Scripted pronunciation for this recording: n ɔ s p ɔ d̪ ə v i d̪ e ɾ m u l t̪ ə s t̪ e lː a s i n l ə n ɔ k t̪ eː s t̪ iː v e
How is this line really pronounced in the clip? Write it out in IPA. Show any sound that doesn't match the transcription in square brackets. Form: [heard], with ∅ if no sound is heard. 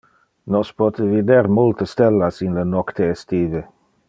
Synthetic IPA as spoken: n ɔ s p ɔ [t̪] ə v i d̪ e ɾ m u l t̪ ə s t̪ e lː a s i n l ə n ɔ k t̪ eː s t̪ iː v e